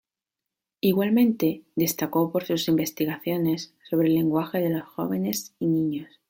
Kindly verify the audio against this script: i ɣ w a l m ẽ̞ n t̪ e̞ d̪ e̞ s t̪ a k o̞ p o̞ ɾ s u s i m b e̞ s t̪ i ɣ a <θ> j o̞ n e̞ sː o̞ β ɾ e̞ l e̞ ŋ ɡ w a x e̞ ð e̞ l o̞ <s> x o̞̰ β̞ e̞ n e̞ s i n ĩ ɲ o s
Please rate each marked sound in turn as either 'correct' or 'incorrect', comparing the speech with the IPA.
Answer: correct, correct

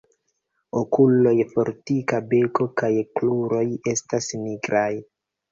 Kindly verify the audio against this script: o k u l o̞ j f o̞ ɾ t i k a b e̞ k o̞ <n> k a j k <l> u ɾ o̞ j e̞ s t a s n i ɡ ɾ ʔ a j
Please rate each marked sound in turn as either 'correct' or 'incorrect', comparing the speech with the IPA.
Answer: incorrect: none, correct

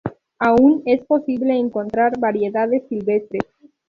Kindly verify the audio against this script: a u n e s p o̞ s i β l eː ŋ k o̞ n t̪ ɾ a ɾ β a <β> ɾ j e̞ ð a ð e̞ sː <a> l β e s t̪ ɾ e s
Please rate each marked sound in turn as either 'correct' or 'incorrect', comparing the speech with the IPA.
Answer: incorrect: none, incorrect: i

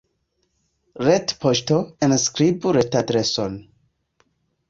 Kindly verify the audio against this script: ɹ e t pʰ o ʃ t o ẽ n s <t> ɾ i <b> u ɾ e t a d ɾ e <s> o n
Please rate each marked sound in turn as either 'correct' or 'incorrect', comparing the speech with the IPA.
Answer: incorrect: k, correct, correct

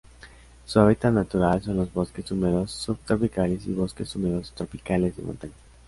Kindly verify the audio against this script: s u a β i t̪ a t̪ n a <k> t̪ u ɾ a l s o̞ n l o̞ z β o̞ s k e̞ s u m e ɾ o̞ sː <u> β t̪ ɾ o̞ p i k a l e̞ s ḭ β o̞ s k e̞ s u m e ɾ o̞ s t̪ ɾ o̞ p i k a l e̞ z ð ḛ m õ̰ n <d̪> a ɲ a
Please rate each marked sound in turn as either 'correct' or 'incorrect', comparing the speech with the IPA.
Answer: incorrect: none, correct, incorrect: t̪

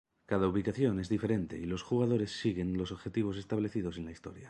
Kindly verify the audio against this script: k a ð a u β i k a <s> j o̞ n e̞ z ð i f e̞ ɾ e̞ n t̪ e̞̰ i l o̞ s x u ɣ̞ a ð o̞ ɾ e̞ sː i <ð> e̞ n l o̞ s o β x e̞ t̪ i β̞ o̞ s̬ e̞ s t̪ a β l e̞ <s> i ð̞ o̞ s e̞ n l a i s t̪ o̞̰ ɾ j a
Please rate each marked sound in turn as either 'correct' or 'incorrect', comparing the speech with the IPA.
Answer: incorrect: θ, incorrect: ɣ, incorrect: θ

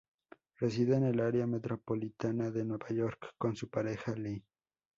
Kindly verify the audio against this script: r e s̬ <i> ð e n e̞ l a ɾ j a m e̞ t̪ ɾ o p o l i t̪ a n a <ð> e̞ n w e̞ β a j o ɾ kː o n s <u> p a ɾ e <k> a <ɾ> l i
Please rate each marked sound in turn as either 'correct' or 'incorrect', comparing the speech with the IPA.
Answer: correct, correct, correct, incorrect: x, incorrect: none

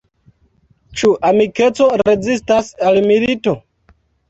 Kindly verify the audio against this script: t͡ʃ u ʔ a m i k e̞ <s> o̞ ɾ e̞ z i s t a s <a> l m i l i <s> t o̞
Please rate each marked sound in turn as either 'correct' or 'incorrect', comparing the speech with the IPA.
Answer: incorrect: t͡s, correct, incorrect: none

